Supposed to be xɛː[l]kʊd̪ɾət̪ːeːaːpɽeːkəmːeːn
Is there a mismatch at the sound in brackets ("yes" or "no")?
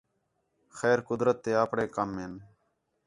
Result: yes